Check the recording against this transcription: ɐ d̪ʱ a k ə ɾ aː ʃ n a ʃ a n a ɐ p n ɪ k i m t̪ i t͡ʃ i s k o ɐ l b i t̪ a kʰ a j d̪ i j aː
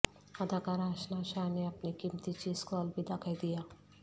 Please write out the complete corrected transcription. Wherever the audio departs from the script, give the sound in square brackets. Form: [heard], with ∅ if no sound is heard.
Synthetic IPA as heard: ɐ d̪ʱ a k [a] ɾ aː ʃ n a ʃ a n [e] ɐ p n [i] k i m t̪ i t͡ʃ i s k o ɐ l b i [d̪] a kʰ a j d̪ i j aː

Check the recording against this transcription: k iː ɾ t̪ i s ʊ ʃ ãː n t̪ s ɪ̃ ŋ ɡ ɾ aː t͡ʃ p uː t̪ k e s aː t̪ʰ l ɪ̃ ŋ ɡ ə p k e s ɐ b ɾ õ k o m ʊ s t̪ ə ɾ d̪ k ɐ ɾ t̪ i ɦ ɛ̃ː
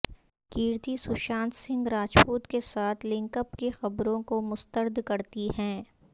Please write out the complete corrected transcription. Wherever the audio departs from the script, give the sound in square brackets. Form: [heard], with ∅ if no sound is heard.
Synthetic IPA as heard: k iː ɾ t̪ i s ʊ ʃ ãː n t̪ s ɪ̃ ŋ ɡ ɾ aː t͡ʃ p uː t̪ k e s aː t̪ʰ l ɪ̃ ŋ [k] ə p k e [x] ɐ b ɾ õ k o m ʊ s t̪ ə ɾ d̪ k ɐ ɾ t̪ i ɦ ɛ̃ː

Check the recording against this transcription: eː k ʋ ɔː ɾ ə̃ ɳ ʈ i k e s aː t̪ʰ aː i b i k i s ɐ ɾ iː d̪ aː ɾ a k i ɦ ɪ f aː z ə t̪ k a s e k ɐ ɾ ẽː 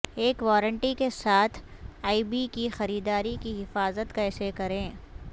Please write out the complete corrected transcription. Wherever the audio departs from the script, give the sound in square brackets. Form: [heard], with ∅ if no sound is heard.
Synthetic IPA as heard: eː k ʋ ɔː ɾ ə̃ ɳ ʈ i k e s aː t̪ʰ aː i b i k i [x] ɐ ɾ iː d̪ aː ɾ [i] k i ɦ ɪ f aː z ə t̪ k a s e k ɐ ɾ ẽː

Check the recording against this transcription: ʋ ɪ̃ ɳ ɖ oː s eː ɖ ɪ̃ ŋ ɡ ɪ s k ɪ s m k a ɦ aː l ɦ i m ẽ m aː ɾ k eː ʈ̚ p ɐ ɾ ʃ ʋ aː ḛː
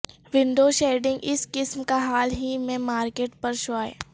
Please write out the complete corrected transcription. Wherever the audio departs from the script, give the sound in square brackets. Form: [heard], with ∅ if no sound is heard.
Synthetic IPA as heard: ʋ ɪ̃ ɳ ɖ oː [ʃ] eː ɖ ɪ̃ ŋ ɡ ɪ s k ɪ s m k a ɦ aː l ɦ i m ẽ m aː ɾ k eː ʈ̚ p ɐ ɾ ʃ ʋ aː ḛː

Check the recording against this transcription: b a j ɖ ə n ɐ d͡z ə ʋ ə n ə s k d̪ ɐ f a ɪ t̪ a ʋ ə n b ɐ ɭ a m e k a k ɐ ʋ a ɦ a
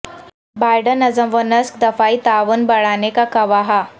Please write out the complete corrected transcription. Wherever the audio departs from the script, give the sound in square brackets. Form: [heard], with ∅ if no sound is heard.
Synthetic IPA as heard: b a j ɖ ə n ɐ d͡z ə ʋ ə n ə s k d̪ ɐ f a [i] t̪ a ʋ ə n b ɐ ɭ a [n] e k a k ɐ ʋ a ɦ a

